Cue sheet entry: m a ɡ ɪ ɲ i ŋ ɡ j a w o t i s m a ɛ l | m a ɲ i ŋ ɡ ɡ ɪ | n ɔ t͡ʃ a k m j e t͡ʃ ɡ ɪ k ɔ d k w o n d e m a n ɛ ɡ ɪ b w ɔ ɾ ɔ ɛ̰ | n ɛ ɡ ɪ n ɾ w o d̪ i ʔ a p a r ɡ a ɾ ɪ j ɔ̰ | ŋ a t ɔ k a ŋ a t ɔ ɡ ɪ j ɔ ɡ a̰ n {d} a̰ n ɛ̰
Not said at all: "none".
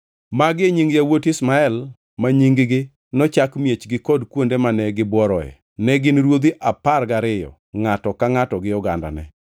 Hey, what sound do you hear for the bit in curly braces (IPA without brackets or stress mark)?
d